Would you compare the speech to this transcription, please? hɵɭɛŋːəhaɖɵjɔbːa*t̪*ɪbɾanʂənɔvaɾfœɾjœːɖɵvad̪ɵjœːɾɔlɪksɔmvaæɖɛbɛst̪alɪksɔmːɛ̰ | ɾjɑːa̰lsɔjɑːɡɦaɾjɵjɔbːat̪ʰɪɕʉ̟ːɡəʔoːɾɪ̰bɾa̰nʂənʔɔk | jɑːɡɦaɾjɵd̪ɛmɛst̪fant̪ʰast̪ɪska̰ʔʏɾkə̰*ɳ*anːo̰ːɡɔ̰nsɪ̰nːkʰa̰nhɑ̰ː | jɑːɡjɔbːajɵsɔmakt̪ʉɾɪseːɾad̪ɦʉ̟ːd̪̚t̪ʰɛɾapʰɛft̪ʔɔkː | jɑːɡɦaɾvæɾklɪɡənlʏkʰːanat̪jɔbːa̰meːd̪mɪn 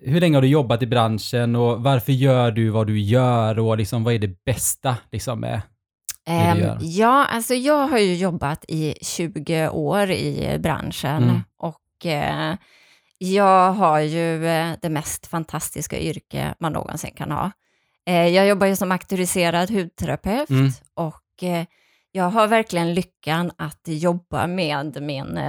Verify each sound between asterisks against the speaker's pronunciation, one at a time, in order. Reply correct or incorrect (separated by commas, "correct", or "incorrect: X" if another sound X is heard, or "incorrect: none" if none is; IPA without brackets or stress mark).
correct, incorrect: m